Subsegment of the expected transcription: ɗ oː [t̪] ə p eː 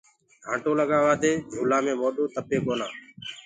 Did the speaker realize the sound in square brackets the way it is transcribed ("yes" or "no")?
yes